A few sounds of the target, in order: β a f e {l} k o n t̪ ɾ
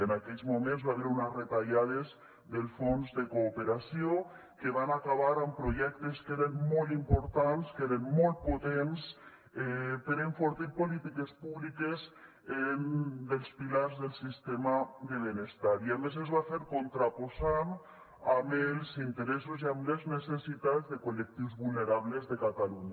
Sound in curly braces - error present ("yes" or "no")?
yes